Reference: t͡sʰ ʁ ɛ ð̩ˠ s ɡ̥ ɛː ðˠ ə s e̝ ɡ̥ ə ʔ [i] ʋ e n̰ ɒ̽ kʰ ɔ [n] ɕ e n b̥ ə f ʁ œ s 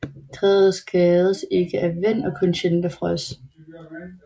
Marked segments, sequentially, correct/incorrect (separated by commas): incorrect, correct